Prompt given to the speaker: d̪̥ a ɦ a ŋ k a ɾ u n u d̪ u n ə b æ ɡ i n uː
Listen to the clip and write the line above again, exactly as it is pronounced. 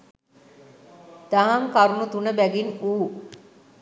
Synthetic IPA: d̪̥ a ɦ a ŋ k a ɾ u n u t̪ u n ə b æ ɡ i n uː

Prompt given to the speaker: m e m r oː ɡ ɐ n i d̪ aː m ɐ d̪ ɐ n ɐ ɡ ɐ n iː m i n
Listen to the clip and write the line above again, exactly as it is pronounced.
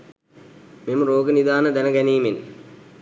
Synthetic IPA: m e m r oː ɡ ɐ n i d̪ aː n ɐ d̪ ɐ n ɐ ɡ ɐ n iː m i n

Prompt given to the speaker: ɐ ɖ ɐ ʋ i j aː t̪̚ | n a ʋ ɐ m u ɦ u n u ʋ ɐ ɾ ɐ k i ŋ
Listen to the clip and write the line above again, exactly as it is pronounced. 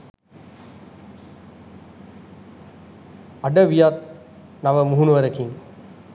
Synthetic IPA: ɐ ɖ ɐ ʋ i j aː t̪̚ | n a ʋ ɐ m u ɦ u n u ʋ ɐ ɾ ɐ k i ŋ

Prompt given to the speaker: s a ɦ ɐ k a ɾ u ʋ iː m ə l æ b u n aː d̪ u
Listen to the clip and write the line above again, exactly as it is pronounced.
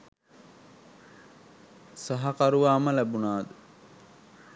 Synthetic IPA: s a ɦ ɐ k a ɾ u ʋ aː m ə l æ b u n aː d̪ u

